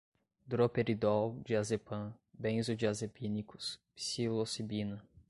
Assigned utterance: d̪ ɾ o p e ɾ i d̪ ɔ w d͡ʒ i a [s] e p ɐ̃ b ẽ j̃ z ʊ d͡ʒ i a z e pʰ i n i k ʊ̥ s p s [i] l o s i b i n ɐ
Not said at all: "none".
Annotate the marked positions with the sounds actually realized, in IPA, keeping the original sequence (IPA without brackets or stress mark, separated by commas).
z, i